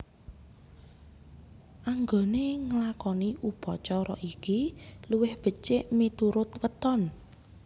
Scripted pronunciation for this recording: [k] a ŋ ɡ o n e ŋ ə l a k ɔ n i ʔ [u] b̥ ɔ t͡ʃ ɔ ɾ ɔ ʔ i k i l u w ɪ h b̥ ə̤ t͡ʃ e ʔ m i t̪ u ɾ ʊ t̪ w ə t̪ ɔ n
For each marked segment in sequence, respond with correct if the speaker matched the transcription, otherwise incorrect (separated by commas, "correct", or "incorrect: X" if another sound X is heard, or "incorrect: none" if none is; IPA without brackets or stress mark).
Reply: incorrect: ʔ, correct